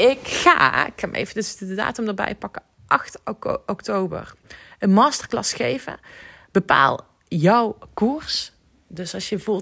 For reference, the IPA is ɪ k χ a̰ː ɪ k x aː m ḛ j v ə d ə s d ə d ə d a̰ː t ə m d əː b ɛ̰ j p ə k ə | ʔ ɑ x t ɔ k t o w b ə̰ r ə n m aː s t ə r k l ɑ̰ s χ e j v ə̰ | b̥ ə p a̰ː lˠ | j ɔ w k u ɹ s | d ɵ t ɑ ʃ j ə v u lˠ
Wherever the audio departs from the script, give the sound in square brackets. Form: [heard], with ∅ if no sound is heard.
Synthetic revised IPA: ɪ k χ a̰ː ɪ k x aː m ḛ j v ə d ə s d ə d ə d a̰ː t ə m d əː b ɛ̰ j p [ɑ] k ə | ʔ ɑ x t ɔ k t o w b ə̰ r ə n m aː s t ə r k l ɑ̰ s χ e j v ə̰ | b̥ ə p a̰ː lˠ | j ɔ w k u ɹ s | d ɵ [s] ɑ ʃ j ə v u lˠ